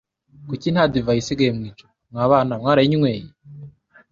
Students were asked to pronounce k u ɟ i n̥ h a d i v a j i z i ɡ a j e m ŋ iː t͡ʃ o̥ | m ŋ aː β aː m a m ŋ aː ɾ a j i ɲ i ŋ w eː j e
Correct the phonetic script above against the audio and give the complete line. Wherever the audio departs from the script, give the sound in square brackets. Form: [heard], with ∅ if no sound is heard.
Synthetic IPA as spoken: k u [c] i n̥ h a d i v a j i [s] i ɡ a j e m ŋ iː t͡ʃ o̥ | m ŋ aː β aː [n] a m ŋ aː ɾ a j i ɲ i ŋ w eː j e